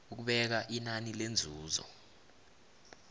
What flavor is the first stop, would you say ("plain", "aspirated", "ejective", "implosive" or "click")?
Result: plain